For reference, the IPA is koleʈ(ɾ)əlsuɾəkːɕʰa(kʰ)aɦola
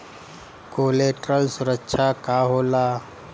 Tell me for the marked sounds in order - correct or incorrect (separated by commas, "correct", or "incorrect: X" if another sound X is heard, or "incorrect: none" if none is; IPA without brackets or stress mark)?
correct, incorrect: k